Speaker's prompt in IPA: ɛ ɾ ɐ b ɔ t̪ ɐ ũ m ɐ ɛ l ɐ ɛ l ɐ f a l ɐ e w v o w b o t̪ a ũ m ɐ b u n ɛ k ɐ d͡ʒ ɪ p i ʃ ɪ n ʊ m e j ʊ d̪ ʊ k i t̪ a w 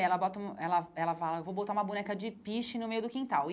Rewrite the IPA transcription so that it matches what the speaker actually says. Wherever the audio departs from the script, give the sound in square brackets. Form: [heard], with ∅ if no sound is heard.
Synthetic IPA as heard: ɛ [l] ɐ b ɔ t̪ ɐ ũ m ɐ ɛ l ɐ ɛ l ɐ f a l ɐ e w v o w b o t̪ a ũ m ɐ b u n ɛ k ɐ d͡ʒ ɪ p i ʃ ɪ n ʊ m e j ʊ d̪ ʊ k [ĩ] t̪ a w

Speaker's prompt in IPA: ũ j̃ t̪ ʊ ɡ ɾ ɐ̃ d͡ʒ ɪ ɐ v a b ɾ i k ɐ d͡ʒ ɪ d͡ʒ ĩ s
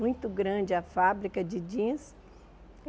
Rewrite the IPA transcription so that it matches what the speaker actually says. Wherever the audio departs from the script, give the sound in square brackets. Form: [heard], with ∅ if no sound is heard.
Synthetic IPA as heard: ũ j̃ t̪ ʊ ɡ ɾ ɐ̃ d͡ʒ ɪ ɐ [f] a b ɾ i k ɐ d͡ʒ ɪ d͡ʒ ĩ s

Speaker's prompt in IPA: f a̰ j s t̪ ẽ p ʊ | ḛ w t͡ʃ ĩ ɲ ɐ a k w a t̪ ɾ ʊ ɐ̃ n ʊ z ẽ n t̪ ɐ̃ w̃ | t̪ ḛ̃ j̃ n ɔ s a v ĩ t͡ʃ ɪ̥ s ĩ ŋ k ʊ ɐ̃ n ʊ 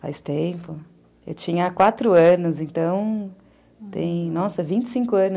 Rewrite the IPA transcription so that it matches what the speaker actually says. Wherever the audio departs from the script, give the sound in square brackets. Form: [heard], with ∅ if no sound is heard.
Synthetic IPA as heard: f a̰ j s t̪ ẽ p ʊ | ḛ w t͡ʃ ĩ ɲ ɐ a k w a t̪ ɾ ʊ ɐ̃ n ʊ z ẽ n t̪ ɐ̃ w̃ | t̪ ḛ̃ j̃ n ɔ s [ɐ] v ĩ t͡ʃ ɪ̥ s ĩ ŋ k ʊ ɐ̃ n ʊ

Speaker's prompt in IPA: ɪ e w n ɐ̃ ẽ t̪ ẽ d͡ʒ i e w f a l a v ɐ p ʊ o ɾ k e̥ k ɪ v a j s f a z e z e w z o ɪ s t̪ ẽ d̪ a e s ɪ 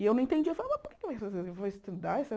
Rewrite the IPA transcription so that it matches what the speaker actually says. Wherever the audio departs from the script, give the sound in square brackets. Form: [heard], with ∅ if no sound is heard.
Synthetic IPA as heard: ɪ e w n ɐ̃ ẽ t̪ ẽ d͡ʒ i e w f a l a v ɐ p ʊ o ɾ k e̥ k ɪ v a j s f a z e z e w [v] o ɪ s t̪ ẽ d̪ a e s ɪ

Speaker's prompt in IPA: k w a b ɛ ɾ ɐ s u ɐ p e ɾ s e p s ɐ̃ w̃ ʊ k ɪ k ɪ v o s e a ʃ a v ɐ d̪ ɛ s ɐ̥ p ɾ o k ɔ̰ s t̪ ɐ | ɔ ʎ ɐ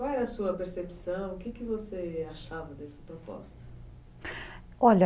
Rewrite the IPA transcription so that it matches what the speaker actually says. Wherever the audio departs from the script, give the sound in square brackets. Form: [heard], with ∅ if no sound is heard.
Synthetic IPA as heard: k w a [w] ɛ ɾ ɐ s u ɐ p e ɾ s e p s ɐ̃ w̃ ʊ k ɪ k ɪ v o s e a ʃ a v ɐ d̪ ɛ s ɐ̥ p ɾ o [p] ɔ̰ s t̪ ɐ | ɔ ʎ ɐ

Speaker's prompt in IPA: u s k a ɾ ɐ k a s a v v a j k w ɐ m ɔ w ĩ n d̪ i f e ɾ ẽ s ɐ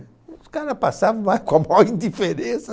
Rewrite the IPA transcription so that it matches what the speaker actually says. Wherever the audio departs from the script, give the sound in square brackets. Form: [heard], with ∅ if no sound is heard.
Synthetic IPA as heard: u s k a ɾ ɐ [p] a s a v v a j k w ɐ m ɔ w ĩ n d̪ i f e ɾ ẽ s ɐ

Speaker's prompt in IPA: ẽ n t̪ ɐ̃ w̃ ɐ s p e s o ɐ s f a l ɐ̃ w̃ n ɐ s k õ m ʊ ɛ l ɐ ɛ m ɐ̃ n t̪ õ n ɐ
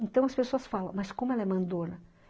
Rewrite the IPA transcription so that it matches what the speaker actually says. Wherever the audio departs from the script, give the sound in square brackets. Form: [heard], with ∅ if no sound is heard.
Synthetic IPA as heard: ẽ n t̪ ɐ̃ w̃ ɐ s p e s o ɐ s f a l ɐ̃ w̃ [m] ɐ s k õ m ʊ ɛ l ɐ ɛ m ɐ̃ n [d̪] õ n ɐ

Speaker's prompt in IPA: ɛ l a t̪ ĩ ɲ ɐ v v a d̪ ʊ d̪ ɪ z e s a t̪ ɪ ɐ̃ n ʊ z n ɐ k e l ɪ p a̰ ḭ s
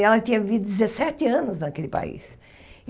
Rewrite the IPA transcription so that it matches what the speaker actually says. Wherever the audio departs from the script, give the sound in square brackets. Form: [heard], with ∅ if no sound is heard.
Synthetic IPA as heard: ɛ l [ɐ] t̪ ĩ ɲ ɐ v v [i] d̪ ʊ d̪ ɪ z e s [ɛ] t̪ ɪ ɐ̃ n ʊ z n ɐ k e l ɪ p a̰ ḭ s

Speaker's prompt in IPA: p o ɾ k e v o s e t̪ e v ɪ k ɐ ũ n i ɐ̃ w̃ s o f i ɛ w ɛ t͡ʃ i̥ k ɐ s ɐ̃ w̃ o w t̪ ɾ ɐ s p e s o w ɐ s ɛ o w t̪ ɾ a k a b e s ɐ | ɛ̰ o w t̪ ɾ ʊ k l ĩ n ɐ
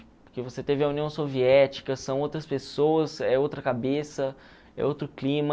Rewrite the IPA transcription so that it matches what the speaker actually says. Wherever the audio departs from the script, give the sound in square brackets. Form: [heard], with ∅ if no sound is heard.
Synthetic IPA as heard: p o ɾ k e v o s e t̪ e v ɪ [∅] ɐ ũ n i ɐ̃ w̃ s o [v] i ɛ [∅] ɛ t͡ʃ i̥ k ɐ s ɐ̃ w̃ o w t̪ ɾ ɐ s p e s o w ɐ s ɛ o w t̪ ɾ [ɐ] k a b e s ɐ | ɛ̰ o w t̪ ɾ ʊ k l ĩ [m] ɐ

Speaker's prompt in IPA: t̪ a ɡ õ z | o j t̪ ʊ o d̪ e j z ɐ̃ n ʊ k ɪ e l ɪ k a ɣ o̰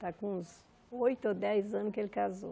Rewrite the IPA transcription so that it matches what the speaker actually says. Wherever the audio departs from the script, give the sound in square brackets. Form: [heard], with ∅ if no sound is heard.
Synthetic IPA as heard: t̪ a [k] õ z | o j t̪ ʊ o d̪ [ɛ] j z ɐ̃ n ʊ k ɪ e l ɪ k a [z] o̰

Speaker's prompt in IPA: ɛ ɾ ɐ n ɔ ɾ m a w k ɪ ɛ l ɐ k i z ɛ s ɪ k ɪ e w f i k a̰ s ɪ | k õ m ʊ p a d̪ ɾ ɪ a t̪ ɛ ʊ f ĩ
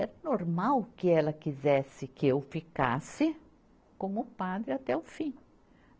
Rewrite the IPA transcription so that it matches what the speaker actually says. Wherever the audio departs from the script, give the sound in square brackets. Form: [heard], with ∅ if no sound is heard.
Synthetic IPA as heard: ɛ ɾ ɐ n [o] ɾ m a w k ɪ ɛ l ɐ k i z ɛ s ɪ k ɪ e w f i k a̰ s ɪ | k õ m ʊ p a d̪ ɾ ɪ a t̪ ɛ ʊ f ĩ

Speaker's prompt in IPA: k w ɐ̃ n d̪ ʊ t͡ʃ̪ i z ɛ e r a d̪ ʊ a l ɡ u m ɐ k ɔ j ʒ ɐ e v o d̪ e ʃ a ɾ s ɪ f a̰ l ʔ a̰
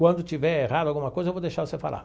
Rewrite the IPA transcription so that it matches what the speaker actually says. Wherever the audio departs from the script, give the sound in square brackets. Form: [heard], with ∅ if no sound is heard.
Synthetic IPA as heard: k w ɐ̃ n d̪ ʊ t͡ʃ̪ i [v] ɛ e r a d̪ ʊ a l ɡ u m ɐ k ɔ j [z] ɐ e v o d̪ e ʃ a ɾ s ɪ f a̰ l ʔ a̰

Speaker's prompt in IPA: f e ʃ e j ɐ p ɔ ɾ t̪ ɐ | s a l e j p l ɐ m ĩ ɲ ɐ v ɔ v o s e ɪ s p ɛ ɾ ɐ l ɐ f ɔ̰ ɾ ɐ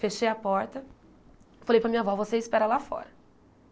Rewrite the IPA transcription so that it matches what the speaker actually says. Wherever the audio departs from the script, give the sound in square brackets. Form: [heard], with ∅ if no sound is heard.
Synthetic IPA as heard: f e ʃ e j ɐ p ɔ ɾ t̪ ɐ | [f] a l e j p [ɾ] ɐ m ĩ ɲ ɐ v ɔ v o s e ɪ s p ɛ ɾ ɐ l [a] f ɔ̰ ɾ ɐ

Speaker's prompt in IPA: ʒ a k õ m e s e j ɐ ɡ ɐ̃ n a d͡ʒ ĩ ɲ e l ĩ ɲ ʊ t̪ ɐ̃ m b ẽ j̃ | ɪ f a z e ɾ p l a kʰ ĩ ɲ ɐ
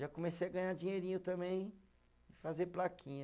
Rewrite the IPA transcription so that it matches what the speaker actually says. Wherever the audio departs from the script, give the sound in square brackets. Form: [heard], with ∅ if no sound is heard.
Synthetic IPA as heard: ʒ a k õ m e s e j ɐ ɡ ɐ̃ [ɲ] a d͡ʒ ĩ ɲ e [ɾ] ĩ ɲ ʊ t̪ ɐ̃ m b ẽ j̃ | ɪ f a z e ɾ p l a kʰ ĩ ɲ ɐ

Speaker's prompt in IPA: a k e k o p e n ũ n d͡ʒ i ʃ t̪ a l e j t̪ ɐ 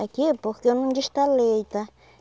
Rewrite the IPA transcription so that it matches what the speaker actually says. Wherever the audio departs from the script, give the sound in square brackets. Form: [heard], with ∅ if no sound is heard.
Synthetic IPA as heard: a k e [p] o [k] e n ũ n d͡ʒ i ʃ t̪ a l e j t̪ [a]

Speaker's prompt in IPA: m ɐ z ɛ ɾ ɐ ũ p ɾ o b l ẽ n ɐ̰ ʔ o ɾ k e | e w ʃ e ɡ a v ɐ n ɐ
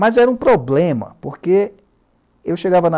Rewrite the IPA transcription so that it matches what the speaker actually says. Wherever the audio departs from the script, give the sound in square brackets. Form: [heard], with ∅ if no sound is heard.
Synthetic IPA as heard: m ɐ z ɛ ɾ ɐ ũ p ɾ o b l ẽ [m] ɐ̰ [p] o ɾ k e | e w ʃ e ɡ a v ɐ n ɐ

